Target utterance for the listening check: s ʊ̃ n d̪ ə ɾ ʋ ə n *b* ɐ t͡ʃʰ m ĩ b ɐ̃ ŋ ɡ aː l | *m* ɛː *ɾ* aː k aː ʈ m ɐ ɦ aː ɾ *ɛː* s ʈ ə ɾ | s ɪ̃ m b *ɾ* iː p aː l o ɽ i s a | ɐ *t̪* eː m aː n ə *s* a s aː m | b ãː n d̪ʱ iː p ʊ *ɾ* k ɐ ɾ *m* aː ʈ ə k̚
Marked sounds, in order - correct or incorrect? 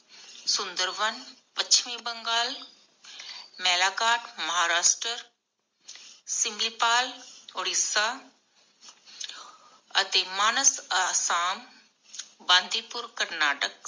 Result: incorrect: p, correct, incorrect: l, incorrect: aː, incorrect: l, correct, correct, correct, incorrect: n

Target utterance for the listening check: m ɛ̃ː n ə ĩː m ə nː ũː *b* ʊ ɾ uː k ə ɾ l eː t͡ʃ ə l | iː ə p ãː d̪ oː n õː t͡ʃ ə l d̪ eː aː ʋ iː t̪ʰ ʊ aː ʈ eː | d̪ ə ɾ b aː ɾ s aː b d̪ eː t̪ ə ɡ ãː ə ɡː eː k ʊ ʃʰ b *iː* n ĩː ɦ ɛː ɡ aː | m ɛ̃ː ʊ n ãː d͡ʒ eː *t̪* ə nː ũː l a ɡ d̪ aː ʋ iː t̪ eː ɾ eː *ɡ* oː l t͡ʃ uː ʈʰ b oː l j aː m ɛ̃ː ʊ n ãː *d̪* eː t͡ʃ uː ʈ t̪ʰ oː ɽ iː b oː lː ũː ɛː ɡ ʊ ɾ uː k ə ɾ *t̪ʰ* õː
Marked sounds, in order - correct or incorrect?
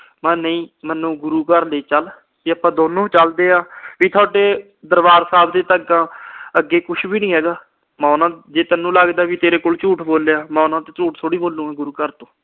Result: incorrect: ɡ, correct, correct, incorrect: k, incorrect: t̪, incorrect: t̪

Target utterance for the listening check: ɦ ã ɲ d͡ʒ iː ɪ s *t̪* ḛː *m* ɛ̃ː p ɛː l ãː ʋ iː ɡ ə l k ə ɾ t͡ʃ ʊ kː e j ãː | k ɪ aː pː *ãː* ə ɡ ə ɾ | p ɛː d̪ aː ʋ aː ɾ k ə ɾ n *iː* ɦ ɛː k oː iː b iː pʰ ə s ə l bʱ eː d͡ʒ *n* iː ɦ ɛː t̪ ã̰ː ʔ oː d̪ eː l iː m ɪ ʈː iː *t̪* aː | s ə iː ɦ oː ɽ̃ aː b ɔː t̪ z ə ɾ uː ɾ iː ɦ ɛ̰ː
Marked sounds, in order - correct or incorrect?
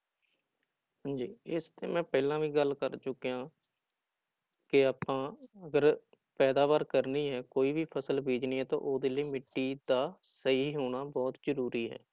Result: correct, correct, correct, correct, correct, incorrect: d̪

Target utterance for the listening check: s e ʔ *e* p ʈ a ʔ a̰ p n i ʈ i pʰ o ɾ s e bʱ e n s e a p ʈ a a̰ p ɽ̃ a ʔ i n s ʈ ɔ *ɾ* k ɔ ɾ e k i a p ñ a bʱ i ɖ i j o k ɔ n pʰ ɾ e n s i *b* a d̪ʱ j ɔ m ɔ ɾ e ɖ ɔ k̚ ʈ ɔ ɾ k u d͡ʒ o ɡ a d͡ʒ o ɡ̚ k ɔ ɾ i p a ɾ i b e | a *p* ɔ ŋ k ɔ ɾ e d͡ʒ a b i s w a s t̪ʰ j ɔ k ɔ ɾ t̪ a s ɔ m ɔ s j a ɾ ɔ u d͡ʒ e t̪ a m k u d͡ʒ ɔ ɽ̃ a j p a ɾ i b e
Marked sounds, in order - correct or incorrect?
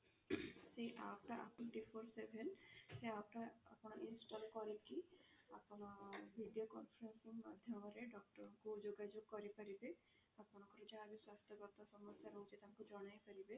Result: incorrect: a, incorrect: l, incorrect: m, correct

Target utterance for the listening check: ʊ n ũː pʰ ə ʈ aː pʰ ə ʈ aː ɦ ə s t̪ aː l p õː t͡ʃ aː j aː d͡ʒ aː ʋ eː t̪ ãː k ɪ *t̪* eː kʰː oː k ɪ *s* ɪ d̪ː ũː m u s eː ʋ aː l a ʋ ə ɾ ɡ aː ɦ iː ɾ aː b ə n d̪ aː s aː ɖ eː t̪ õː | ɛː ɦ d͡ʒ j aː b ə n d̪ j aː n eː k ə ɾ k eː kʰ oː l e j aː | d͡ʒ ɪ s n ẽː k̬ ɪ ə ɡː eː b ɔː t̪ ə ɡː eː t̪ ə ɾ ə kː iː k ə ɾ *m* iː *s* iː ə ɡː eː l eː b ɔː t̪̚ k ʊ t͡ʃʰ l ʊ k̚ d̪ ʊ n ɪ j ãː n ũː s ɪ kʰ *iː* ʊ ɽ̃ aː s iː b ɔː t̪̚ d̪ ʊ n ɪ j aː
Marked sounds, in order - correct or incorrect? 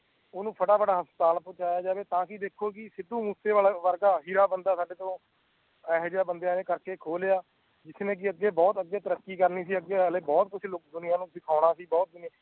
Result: incorrect: d̪, correct, incorrect: n, correct, incorrect: aː

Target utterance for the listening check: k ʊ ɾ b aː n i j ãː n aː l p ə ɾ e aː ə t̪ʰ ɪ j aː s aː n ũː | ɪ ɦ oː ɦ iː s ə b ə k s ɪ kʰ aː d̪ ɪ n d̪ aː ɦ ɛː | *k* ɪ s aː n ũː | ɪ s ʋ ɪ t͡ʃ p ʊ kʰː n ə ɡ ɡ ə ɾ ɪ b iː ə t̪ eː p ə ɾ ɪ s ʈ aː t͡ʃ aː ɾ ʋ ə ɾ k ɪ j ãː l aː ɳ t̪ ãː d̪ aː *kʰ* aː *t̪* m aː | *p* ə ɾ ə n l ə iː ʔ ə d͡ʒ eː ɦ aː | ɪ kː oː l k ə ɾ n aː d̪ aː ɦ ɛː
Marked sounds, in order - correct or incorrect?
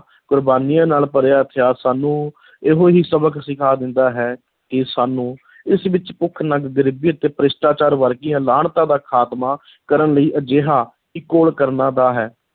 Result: correct, correct, correct, incorrect: k

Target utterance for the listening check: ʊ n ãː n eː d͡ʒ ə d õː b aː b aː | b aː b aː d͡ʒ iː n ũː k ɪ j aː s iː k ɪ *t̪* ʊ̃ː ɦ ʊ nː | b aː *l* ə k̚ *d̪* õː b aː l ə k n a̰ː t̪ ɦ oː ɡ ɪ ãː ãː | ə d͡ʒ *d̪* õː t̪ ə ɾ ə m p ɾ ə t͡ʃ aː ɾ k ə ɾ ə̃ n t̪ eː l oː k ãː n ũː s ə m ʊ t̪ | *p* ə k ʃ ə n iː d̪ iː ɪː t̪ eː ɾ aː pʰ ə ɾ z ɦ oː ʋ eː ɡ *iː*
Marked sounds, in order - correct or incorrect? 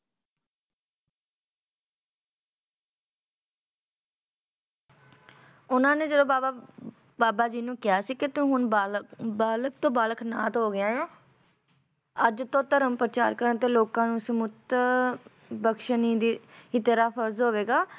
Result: correct, correct, incorrect: t̪, incorrect: t̪, incorrect: b, incorrect: aː

